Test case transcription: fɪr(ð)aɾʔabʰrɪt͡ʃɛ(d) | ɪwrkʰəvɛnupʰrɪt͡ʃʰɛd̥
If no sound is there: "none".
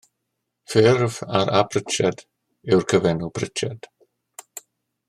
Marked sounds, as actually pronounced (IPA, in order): v, d

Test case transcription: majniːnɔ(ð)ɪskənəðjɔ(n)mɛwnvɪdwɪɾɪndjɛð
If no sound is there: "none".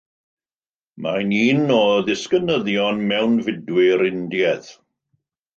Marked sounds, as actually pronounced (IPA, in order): ð, n

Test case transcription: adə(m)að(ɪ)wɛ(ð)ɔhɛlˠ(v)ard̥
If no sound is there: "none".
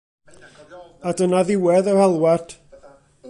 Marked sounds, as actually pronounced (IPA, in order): n, ɪ, ð, w

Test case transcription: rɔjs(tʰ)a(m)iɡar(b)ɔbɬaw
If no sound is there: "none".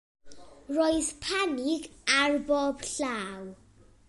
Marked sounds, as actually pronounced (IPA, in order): pʰ, n, b

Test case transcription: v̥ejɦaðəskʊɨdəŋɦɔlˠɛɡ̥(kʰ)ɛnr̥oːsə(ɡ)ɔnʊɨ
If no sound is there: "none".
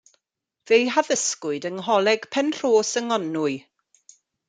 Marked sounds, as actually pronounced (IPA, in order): pʰ, ŋ

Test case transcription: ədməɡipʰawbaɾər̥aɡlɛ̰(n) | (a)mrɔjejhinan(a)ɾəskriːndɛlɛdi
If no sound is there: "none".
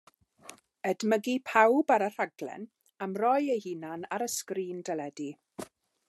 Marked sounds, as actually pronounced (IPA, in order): n, a, a

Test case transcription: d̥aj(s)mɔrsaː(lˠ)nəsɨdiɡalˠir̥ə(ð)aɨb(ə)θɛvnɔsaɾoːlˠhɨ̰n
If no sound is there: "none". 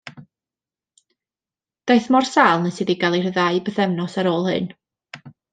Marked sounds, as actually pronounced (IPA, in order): θ, lˠ, ð, ə

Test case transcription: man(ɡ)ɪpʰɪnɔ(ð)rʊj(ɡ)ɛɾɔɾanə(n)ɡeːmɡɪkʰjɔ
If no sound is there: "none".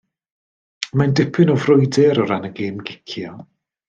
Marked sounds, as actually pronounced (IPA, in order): d, v, d, none

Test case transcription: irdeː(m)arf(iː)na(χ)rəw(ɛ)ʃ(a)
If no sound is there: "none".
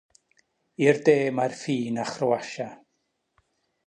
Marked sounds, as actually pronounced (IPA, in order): m, iː, χ, a, a

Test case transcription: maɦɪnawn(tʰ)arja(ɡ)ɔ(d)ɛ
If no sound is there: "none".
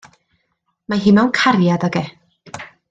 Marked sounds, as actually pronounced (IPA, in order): kʰ, d, ɡ

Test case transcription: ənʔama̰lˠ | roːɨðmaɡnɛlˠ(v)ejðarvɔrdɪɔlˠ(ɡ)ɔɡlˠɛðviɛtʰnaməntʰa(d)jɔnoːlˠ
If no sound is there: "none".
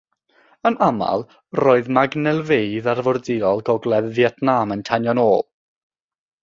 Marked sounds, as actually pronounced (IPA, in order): v, ɡ, n

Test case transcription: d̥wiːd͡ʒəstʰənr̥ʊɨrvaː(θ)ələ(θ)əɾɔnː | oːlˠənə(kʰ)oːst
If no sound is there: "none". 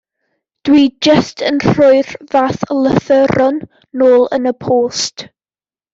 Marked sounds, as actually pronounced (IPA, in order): θ, θ, pʰ

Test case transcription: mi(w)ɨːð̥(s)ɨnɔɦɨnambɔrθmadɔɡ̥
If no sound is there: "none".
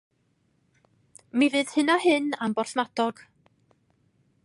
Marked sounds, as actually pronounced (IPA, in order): v, h

